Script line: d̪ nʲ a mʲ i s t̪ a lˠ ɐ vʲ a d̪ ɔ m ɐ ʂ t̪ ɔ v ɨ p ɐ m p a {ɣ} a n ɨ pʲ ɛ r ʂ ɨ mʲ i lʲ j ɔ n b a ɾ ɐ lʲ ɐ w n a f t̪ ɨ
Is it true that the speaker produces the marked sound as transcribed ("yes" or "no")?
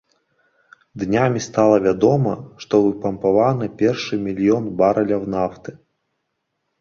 no